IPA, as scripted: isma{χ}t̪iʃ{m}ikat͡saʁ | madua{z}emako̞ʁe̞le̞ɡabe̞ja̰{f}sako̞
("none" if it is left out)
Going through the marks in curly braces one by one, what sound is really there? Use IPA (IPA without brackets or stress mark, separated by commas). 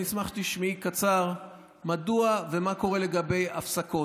χ, m, v, f